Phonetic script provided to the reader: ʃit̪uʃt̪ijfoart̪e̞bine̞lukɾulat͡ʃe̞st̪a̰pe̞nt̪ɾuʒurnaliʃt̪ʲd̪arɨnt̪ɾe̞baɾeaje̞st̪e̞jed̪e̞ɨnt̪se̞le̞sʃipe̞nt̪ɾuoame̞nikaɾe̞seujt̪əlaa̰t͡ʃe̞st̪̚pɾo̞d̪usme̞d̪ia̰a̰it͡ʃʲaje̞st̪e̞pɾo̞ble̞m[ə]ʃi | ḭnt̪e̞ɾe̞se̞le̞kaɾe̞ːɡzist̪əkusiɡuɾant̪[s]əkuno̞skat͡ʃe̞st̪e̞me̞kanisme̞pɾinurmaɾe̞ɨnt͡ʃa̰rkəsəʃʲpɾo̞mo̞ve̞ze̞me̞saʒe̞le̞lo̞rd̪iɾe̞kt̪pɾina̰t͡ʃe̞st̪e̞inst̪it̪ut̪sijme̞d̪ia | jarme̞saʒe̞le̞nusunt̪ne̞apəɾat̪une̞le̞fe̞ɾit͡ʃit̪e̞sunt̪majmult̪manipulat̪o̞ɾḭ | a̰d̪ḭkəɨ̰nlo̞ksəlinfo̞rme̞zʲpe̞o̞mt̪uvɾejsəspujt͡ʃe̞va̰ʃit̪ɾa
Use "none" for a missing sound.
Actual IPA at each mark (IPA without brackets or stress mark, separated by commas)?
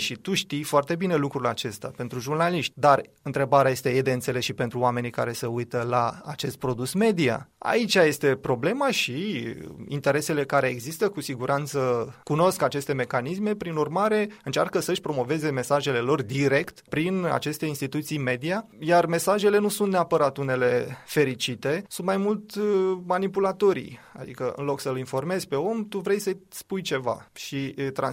a, s